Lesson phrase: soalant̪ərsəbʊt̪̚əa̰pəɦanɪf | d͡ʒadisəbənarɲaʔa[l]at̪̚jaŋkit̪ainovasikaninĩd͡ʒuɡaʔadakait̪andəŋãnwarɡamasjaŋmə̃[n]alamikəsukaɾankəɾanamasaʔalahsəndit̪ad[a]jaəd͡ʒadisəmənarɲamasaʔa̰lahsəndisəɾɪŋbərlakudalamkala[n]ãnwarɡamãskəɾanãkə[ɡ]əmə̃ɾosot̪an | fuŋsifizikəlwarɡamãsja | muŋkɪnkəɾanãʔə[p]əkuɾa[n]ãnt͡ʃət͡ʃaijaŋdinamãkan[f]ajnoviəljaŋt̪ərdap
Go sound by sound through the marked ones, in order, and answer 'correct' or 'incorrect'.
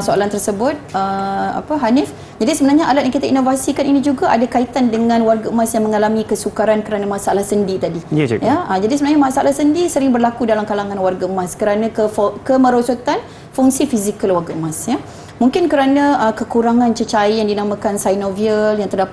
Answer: correct, incorrect: ŋ, incorrect: i, incorrect: ŋ, incorrect: k, incorrect: k, incorrect: ŋ, incorrect: s

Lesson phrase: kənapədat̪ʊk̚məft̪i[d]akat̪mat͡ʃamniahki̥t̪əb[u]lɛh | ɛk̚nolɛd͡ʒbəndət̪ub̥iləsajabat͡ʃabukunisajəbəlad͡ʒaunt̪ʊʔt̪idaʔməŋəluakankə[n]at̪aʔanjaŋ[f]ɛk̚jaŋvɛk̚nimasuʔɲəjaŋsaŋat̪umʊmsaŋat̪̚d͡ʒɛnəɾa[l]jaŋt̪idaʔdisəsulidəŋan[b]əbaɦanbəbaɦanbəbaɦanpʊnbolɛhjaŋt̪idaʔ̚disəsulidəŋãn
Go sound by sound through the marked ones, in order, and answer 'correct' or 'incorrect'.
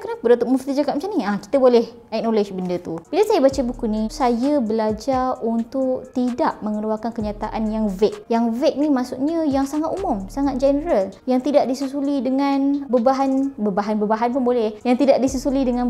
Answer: incorrect: d͡ʒ, incorrect: o, incorrect: ɲ, incorrect: v, correct, correct

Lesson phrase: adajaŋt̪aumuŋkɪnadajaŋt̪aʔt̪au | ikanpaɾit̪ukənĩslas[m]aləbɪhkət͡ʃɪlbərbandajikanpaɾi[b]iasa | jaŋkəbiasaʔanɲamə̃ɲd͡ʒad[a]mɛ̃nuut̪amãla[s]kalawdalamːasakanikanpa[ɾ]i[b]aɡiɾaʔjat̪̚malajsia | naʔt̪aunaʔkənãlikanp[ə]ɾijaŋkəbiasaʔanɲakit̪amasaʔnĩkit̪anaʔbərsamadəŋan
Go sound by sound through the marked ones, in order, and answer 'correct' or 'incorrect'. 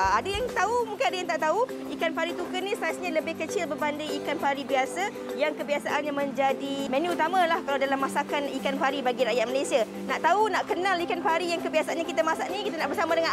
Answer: incorrect: ɲ, correct, incorrect: i, incorrect: h, correct, correct, incorrect: a

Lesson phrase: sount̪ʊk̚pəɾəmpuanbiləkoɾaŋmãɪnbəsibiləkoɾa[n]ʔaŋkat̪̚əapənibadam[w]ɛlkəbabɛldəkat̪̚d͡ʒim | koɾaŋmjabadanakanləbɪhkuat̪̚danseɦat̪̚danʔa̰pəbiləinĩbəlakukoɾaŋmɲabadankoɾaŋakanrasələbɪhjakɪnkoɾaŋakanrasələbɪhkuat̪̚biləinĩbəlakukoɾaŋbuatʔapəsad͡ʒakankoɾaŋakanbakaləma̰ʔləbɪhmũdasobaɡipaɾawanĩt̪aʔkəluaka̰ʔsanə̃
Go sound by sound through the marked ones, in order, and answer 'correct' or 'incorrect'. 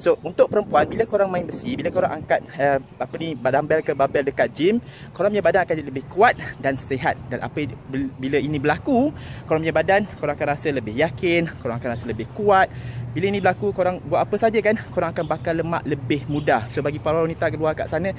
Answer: incorrect: ŋ, incorrect: b

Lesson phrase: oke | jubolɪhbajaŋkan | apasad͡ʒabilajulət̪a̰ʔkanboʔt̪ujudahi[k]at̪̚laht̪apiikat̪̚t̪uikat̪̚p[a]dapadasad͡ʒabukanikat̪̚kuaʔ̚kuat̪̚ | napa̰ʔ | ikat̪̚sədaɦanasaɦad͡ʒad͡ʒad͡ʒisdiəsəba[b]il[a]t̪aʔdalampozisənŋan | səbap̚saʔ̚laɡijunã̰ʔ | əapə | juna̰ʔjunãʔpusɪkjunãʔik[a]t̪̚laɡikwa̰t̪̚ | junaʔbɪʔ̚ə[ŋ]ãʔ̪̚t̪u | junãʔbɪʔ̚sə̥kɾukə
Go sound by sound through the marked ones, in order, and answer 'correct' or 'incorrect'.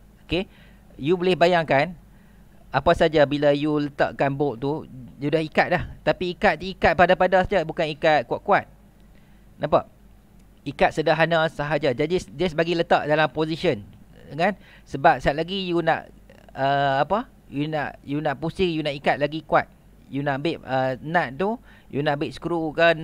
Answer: correct, correct, incorrect: ɡ, incorrect: ə, correct, incorrect: n

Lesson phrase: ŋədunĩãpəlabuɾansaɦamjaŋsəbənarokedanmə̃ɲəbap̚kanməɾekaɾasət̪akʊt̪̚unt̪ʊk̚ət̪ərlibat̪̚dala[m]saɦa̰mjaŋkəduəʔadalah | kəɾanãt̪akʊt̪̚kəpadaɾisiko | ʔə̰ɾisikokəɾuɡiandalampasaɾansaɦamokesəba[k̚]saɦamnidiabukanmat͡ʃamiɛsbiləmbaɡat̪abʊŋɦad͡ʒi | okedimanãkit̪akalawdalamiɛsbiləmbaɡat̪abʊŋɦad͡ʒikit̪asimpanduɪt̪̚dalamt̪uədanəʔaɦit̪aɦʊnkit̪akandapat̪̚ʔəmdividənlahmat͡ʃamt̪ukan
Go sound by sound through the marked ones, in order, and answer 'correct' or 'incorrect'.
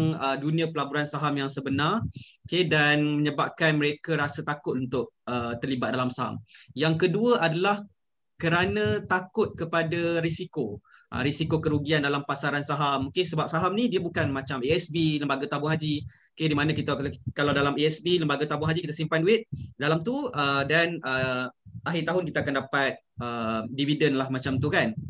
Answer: correct, incorrect: p̚

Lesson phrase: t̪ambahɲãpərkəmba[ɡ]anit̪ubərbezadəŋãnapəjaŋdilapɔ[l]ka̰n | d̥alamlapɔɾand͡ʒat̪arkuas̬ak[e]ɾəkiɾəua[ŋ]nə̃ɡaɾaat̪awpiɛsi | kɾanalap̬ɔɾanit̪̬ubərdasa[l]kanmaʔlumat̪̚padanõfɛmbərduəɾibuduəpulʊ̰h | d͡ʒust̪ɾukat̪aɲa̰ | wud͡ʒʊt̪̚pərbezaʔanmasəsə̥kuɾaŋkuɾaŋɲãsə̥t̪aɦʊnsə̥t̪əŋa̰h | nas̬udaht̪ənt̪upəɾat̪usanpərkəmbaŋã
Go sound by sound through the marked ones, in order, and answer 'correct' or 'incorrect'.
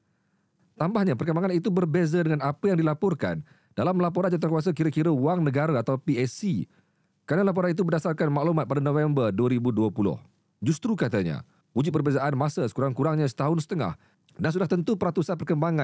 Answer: incorrect: ŋ, incorrect: r, incorrect: i, correct, incorrect: r

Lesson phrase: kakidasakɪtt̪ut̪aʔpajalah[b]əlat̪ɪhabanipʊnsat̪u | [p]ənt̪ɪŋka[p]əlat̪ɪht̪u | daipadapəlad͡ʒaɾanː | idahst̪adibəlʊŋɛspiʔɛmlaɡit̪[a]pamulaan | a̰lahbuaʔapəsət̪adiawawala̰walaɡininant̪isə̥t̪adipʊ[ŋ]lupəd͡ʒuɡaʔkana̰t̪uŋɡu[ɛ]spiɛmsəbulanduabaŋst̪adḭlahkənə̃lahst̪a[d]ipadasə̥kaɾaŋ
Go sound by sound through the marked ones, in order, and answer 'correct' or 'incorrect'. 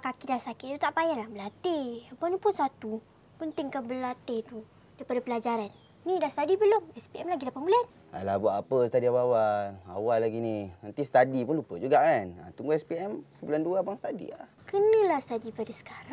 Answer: correct, correct, incorrect: b, correct, incorrect: n, correct, correct

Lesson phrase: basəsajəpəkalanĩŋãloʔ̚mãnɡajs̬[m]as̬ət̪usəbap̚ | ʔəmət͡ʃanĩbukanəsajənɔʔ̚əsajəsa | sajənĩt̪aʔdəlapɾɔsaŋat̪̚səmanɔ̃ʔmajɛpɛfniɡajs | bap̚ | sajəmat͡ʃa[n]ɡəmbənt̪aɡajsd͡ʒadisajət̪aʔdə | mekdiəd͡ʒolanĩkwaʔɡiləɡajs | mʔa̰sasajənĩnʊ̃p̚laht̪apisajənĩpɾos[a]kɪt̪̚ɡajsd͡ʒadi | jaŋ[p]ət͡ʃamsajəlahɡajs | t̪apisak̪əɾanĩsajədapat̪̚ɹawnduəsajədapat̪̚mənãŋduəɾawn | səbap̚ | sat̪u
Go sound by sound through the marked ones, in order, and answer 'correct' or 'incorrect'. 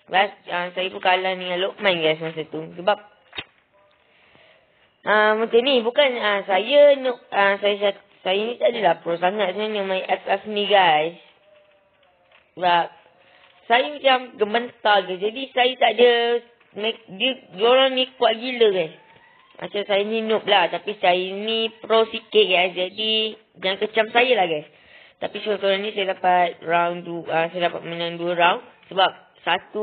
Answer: correct, incorrect: m, incorrect: i, incorrect: k

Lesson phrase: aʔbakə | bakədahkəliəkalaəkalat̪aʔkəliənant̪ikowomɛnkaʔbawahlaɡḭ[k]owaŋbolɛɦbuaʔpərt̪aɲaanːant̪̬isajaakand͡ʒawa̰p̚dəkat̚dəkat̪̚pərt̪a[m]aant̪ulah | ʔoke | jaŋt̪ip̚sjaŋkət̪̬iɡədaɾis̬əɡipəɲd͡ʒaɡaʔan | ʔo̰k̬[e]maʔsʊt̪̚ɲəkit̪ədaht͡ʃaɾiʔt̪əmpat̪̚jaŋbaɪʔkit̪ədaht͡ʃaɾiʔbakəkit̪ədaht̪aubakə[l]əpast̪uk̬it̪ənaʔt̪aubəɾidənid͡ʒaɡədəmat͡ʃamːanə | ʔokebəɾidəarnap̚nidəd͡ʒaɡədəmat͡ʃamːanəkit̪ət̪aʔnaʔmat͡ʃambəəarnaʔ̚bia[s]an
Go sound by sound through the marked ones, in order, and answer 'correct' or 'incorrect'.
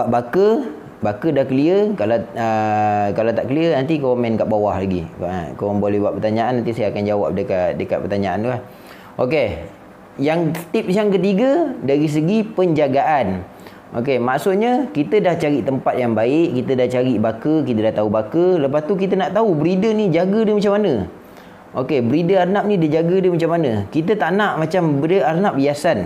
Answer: correct, incorrect: ɲ, correct, correct, correct

